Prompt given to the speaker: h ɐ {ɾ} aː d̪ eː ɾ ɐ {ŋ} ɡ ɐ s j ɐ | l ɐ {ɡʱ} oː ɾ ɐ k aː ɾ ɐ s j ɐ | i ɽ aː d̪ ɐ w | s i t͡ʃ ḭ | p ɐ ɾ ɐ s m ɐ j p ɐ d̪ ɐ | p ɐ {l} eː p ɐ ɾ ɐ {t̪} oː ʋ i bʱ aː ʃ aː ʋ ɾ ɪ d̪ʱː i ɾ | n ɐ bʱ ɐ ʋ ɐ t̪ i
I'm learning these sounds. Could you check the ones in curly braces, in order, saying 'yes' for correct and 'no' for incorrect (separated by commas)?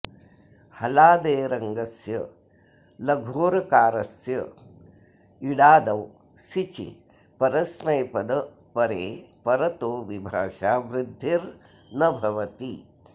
no, yes, yes, no, yes